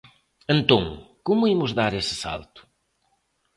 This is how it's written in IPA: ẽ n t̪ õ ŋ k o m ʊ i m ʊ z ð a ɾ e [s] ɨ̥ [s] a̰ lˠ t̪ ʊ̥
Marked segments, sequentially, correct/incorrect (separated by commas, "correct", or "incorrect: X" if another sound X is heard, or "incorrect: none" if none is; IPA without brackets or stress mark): correct, correct